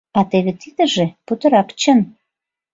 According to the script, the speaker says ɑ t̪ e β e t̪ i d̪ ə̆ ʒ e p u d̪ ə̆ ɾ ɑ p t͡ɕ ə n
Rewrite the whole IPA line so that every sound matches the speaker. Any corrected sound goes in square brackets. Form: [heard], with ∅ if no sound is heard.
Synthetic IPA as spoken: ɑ t̪ e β e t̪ i d̪ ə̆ ʒ e p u [t̪] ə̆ ɾ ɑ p t͡ɕ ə n